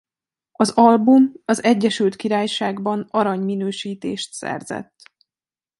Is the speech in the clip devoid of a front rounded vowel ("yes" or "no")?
no